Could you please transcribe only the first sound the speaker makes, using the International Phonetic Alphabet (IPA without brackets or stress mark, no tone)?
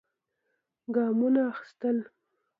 ɡ